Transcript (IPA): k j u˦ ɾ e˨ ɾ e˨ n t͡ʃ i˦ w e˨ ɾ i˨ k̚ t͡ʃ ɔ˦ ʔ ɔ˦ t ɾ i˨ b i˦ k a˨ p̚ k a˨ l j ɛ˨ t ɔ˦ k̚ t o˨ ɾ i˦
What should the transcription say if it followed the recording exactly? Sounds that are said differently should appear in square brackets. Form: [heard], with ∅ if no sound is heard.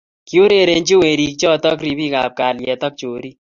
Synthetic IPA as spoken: k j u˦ ɾ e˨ ɾ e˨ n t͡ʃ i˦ w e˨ ɾ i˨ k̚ t͡ʃ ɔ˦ [t] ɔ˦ [k] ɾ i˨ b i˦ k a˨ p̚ k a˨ l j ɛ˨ t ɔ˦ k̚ [t͡ʃ] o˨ ɾ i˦